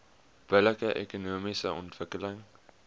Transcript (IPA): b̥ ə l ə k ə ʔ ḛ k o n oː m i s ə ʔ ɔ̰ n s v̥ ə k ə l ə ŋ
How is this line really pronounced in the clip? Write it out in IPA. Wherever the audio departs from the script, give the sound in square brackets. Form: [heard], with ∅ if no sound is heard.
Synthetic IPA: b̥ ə l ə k ə ʔ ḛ k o n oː m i s ə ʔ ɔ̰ n [t] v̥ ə k ə l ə ŋ

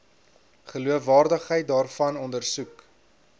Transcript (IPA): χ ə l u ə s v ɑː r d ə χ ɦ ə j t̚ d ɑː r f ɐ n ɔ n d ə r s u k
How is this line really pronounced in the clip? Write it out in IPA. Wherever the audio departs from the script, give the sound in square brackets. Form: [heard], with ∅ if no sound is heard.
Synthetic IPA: χ ə l u ə [f] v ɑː r d ə χ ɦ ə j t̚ d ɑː r f ɐ n ɔ n d ə r s u k

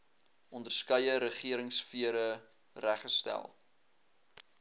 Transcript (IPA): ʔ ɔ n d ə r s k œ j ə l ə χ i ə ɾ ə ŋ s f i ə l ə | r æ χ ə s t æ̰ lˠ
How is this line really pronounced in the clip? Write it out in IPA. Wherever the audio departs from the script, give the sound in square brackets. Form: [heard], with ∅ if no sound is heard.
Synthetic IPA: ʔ ɔ n d ə r s k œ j ə [ɾ] ə χ i ə ɾ ə ŋ s f i ə [ɾ] ə | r æ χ ə s t æ̰ lˠ

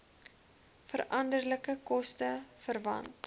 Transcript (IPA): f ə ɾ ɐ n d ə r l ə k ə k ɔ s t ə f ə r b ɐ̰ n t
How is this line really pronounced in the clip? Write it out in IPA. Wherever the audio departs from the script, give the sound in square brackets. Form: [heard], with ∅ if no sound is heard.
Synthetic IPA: f ə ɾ ɐ n d ə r l ə k ə k ɔ s t ə f ə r [v] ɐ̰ n t

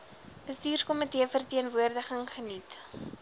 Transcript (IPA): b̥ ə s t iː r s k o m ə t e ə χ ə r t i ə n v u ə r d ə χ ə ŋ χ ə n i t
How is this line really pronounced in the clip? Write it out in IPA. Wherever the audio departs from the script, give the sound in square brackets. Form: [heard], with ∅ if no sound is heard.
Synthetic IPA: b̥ ə s t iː r s k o m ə t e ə [f] ə r t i ə n v u ə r d ə χ ə ŋ χ ə n i t

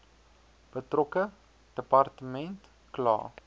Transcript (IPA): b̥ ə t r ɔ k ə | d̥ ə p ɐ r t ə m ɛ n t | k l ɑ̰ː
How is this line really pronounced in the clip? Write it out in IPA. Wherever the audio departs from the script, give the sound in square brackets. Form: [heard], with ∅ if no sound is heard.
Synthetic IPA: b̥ ə t r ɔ k ə | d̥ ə p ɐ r t ə m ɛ n t | k l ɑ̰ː

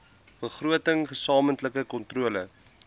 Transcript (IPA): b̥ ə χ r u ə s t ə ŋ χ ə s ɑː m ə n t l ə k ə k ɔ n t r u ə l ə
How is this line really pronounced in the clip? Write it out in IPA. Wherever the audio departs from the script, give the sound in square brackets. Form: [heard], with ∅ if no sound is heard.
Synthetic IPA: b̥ ə χ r u ə [∅] t ə ŋ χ ə s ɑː m ə n t l ə k ə k ɔ n t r u ə l ə

